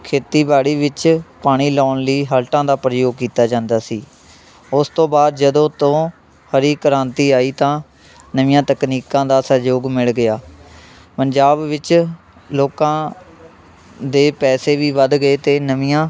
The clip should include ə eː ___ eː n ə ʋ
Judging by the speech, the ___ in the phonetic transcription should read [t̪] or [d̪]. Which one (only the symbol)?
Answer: t̪